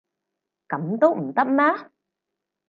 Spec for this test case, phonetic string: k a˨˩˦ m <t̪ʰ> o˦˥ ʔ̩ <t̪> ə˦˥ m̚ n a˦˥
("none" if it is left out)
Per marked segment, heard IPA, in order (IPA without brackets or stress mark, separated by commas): t̪, t̪